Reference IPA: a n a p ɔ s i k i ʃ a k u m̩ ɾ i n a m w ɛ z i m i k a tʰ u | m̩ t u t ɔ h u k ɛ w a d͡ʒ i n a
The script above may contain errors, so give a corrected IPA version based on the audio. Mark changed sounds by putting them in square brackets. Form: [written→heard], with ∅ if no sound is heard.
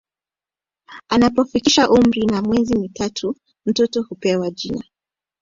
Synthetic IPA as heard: a n a p ɔ [s→f] i k i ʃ a [k→ʔ] u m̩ ɾ i n a m w ɛ z i m i [k→t] a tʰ u | m̩ t [u→ɔ] t ɔ h u [k→p] ɛ w a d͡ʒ i n a